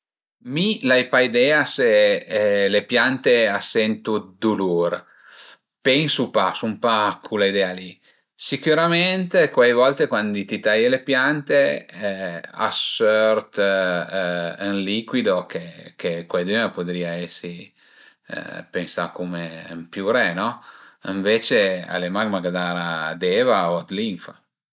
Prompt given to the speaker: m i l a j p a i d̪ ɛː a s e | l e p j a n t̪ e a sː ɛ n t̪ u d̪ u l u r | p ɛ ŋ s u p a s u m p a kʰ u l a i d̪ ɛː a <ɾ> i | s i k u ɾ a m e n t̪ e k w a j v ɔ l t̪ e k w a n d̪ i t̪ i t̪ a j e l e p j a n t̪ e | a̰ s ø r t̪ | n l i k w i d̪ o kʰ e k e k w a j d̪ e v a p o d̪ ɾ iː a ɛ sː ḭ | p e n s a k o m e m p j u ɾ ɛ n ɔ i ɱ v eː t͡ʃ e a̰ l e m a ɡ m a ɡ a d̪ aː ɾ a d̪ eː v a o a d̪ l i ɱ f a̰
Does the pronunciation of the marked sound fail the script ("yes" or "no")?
yes